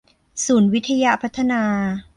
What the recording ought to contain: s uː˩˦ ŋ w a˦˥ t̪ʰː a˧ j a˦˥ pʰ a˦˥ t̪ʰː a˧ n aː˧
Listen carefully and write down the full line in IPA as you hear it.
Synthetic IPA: s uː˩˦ n w i˦˥ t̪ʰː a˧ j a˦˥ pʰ a˦˥ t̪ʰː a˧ n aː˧